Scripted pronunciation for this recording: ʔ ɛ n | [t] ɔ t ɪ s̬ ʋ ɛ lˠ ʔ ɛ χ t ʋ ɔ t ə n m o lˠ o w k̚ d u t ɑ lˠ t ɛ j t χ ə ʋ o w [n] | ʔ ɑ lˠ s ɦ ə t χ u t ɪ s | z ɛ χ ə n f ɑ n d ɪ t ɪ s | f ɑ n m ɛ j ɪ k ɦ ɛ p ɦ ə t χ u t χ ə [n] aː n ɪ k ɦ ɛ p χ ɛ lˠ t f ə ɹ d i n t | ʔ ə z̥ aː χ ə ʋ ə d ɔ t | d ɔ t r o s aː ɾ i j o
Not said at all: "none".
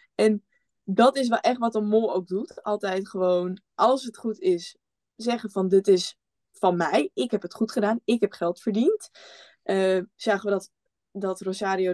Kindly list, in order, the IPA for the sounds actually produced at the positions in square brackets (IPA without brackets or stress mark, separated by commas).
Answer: d, n, d